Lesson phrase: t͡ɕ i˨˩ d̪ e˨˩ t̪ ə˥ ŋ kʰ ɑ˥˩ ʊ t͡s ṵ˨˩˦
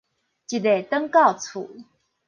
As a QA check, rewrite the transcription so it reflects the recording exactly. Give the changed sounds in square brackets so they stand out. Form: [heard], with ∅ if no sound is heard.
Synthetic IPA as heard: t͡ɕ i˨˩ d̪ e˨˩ t̪ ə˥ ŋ [k] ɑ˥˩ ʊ [t͡sʰ] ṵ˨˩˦